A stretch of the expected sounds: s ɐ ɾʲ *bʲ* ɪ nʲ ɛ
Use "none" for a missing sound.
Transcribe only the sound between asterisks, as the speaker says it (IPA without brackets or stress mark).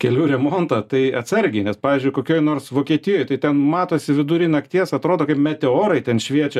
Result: ɡʲ